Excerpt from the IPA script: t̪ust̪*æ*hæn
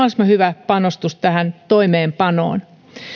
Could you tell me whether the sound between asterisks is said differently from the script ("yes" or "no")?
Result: no